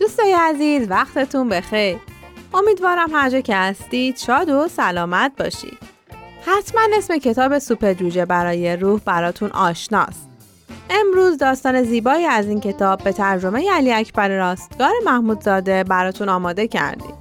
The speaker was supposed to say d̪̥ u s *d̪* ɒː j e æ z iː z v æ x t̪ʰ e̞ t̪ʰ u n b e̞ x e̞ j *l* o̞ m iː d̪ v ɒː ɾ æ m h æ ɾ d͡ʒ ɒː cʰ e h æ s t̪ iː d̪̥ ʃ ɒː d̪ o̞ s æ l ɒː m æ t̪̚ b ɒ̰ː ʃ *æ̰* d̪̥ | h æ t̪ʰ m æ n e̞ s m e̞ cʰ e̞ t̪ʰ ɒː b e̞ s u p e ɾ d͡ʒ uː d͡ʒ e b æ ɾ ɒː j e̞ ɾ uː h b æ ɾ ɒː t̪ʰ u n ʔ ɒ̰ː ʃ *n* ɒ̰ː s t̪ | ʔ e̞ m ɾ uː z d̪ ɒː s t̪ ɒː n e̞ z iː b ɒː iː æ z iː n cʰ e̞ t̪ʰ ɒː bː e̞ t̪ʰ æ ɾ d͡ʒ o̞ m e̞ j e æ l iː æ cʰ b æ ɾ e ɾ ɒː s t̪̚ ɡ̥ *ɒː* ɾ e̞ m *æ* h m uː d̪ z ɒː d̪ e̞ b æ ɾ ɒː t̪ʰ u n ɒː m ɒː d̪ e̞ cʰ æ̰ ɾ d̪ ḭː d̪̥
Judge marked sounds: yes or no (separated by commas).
no, no, no, yes, yes, yes